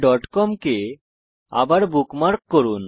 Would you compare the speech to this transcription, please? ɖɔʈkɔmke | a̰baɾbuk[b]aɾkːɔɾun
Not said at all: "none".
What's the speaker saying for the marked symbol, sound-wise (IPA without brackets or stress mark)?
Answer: m